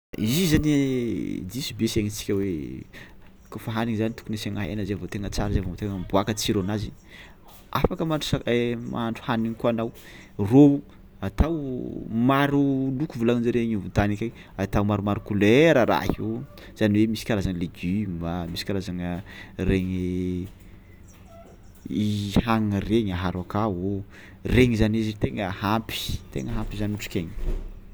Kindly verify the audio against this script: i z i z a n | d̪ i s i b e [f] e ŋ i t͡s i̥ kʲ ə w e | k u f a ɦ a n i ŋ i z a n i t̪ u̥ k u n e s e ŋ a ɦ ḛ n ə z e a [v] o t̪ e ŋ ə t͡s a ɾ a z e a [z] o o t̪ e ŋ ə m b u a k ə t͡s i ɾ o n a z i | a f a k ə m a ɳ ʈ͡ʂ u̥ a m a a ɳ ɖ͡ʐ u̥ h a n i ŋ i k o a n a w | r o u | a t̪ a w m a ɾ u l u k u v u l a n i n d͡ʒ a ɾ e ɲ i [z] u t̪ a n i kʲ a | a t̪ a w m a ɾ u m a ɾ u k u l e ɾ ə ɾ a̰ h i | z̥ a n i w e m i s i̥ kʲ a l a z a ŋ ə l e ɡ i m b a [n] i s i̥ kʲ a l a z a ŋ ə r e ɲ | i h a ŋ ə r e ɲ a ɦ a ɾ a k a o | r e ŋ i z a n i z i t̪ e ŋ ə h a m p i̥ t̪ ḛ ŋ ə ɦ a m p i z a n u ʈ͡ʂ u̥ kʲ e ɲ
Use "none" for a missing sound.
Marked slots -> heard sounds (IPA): s, v, v, v, m

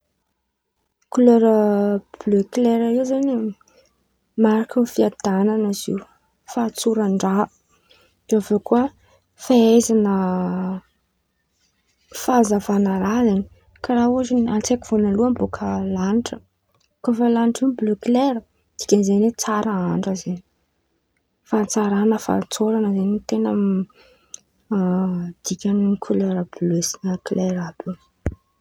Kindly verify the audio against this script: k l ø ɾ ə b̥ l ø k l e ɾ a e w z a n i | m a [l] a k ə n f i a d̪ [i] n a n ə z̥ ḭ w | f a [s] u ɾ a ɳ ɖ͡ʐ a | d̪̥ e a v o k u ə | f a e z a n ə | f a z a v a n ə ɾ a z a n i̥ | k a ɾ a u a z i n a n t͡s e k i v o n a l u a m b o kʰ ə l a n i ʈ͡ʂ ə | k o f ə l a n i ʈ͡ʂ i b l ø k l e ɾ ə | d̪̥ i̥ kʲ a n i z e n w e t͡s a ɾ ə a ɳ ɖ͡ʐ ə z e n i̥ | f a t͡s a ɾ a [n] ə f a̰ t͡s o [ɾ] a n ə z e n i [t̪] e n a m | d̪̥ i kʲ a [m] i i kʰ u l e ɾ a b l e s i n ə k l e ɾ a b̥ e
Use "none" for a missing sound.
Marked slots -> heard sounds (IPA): ɾ, a, t͡s, n, ɾ, t̪, n

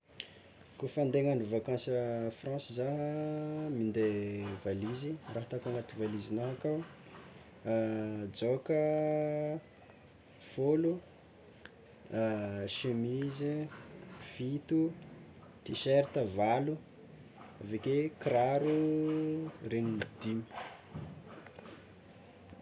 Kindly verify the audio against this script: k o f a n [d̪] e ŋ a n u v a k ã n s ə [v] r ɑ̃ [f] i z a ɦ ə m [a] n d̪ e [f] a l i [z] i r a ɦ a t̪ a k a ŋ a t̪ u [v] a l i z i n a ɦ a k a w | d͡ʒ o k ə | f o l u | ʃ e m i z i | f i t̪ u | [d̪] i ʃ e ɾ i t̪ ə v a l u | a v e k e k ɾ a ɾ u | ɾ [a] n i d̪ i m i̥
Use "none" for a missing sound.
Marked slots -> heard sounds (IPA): d̪, f, s, i, v, z, v, t̪, e

